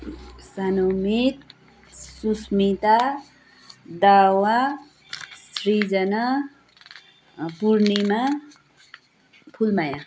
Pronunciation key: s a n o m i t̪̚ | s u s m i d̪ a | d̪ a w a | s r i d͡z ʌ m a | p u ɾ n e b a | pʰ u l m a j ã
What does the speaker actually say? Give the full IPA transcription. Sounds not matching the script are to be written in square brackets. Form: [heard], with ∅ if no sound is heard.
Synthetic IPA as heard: s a n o m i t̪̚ | s u s m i [t̪] a | d̪ a w a | s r i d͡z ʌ [n] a | p u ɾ n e [m] a | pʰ u l m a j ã